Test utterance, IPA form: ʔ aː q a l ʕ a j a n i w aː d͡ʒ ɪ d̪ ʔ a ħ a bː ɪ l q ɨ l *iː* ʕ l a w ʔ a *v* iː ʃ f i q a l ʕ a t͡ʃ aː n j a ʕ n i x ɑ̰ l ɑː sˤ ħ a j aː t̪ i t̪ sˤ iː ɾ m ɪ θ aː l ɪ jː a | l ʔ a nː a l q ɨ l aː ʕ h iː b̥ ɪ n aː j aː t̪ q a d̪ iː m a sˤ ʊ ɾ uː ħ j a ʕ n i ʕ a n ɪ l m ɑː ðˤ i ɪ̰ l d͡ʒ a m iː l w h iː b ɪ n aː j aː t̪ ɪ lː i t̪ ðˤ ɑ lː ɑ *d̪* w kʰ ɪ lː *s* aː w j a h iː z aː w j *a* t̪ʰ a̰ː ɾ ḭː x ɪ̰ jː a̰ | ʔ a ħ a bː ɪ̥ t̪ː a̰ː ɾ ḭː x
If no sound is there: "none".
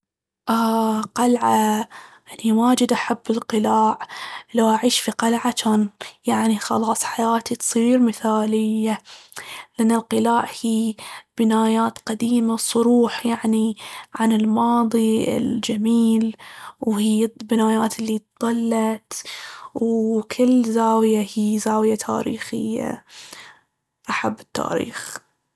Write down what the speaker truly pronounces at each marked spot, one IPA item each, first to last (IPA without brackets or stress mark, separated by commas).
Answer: aː, ʕ, t̪, z, a